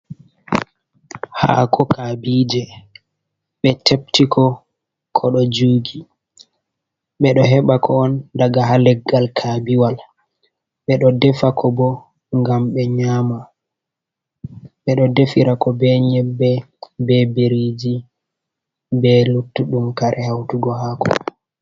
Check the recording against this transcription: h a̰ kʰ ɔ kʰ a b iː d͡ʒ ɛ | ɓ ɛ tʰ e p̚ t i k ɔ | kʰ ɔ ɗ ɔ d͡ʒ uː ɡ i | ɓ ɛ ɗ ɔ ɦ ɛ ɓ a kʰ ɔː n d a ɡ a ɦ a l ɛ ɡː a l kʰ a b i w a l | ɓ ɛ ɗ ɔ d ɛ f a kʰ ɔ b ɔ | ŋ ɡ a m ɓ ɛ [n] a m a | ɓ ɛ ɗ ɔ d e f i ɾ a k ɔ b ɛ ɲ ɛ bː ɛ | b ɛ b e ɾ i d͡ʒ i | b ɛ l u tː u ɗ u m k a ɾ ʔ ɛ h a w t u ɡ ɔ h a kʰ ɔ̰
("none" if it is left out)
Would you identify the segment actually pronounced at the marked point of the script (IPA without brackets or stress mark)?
ɲ